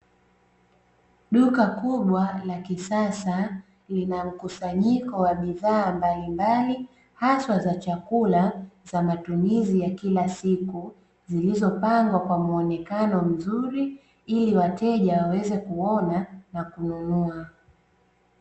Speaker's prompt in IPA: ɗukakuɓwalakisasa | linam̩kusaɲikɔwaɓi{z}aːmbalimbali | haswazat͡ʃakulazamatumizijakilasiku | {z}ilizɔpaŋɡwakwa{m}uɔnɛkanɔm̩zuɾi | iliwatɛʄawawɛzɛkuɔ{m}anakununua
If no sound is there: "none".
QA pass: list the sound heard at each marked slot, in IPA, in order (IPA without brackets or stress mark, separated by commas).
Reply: ð, z, m, n